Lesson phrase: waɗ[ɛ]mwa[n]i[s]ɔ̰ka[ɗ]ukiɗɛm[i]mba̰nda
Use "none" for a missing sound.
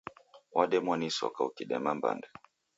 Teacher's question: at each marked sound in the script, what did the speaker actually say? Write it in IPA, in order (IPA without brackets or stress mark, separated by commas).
ɛ, n, s, none, a